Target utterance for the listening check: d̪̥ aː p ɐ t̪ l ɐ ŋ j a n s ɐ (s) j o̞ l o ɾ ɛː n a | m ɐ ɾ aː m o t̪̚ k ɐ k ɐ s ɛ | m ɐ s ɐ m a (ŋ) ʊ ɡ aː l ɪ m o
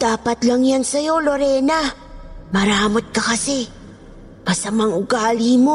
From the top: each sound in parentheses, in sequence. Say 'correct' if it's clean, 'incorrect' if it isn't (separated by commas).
incorrect, correct